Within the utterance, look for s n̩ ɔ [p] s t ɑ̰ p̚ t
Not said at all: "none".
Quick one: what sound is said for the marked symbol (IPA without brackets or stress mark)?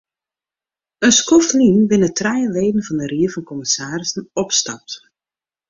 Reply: p